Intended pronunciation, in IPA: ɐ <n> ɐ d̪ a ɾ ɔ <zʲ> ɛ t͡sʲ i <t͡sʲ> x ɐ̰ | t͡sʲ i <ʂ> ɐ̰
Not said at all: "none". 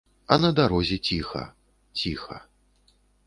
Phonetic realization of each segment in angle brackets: n, zʲ, none, x

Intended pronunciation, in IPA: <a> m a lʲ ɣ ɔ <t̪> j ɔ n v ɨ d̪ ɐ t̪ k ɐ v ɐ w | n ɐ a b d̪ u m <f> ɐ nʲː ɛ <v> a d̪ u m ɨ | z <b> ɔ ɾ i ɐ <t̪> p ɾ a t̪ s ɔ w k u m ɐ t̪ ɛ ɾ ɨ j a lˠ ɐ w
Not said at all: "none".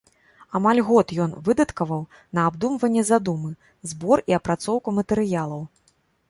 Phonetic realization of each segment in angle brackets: a, t̪, v, z, b, none

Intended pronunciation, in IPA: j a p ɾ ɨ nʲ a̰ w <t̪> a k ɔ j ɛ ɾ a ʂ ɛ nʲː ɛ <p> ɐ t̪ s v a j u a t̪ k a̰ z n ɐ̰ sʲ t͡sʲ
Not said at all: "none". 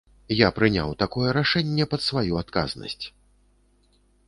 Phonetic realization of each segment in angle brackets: t̪, p

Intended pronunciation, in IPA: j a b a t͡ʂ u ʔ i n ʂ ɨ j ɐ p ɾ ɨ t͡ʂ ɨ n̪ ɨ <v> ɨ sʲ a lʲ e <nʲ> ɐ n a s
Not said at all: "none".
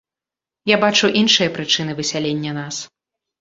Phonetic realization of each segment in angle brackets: v, nʲː

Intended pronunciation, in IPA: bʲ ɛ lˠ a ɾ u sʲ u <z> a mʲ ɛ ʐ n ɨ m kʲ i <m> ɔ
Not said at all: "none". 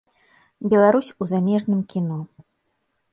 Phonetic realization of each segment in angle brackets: z, n

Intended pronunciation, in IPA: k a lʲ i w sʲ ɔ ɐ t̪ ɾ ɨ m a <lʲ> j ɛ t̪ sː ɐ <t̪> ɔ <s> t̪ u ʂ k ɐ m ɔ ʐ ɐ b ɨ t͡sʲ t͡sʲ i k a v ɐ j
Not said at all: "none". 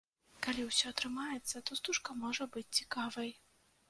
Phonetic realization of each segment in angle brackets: none, t̪, s

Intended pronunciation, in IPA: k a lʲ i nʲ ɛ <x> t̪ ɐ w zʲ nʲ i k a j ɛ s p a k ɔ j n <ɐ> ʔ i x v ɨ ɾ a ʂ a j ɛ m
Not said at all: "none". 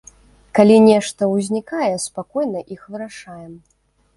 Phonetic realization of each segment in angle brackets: ʂ, ɐ

